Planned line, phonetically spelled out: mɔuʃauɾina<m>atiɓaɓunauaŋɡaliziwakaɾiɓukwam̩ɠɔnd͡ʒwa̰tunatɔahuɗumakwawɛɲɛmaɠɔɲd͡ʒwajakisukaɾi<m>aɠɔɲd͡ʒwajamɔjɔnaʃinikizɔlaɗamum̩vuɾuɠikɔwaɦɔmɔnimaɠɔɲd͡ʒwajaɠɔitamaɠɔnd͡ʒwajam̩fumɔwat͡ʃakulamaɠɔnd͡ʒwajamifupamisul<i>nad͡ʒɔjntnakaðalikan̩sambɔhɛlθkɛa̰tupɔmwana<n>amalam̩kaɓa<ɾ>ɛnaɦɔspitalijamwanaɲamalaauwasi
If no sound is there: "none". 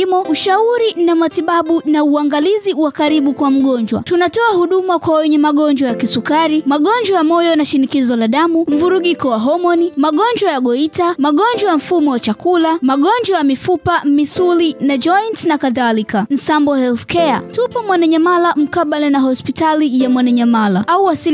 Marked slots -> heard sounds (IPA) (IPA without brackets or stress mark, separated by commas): m, m, i, ɲ, l